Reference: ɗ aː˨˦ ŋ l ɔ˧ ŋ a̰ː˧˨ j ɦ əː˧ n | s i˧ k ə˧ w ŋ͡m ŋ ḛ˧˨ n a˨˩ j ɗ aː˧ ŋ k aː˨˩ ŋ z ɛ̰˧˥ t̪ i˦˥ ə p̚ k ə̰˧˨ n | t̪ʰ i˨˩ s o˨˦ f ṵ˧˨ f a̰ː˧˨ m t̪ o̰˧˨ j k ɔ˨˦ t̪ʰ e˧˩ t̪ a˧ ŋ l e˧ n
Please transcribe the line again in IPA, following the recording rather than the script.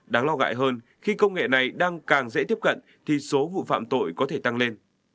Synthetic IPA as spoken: ɗ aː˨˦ ŋ l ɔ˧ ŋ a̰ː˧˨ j ɦ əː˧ n | x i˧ k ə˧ w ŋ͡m ŋ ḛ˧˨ n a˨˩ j ɗ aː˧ ŋ k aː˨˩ ŋ z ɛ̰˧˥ t̪ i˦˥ ə p̚ k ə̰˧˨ n | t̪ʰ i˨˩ s o˨˦ v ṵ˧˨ f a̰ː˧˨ m t̪ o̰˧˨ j k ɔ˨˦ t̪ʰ e˧˩ t̪ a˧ ŋ l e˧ n